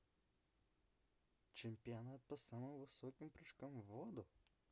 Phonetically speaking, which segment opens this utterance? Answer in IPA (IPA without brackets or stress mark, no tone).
t͡ʃʲ